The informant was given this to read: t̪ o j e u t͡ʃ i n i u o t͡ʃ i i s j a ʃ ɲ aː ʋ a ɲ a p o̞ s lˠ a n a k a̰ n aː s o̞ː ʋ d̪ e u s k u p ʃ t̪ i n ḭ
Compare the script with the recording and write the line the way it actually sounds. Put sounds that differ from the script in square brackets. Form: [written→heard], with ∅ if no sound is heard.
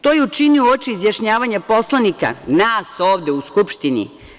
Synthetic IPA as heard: t̪ o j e u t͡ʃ i n i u o t͡ʃ i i [s→z] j a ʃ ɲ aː ʋ a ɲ a p o̞ s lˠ a n [a→i] k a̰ n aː s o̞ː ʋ d̪ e u s k u p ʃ t̪ i n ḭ